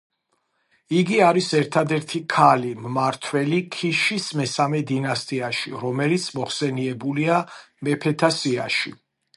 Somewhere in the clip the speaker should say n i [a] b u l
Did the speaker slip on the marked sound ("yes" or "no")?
yes